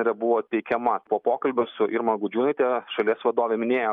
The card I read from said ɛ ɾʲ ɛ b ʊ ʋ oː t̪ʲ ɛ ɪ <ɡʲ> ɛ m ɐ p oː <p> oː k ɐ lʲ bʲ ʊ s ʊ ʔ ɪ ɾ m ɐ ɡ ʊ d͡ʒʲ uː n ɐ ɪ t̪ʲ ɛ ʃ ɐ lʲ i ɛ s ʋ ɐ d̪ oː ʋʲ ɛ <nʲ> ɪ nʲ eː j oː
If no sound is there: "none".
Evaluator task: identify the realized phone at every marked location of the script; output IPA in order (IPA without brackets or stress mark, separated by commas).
kʲ, p, mʲ